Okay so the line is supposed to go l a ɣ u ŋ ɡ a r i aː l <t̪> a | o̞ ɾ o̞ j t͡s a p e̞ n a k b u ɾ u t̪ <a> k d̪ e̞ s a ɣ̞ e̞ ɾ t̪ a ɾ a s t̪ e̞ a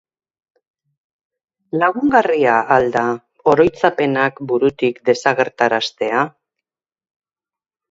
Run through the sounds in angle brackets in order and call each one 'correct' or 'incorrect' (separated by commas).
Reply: incorrect, incorrect